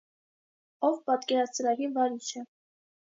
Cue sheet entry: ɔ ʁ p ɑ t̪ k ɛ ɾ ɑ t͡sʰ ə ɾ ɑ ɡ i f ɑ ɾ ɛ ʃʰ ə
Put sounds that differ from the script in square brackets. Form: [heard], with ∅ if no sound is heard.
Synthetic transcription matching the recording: ɔ [v] p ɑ t̪ k ɛ ɾ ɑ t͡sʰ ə ɾ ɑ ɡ i [v] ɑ ɾ [i] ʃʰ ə